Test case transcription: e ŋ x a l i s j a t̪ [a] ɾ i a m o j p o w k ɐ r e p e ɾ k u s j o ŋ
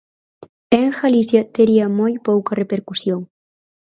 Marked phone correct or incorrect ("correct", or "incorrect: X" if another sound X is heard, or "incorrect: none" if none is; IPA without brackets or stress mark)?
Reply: incorrect: e